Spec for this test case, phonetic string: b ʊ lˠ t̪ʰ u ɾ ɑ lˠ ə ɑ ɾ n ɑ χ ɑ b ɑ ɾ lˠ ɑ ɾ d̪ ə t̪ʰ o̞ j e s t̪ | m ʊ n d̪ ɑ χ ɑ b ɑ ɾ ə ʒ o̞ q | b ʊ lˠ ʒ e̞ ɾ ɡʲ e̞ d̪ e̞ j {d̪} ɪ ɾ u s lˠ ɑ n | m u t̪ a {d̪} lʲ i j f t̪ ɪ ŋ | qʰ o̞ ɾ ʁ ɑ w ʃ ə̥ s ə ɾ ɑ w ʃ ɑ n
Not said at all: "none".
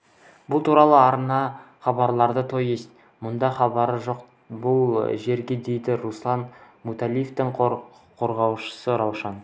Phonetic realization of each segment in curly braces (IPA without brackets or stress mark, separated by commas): d̪, none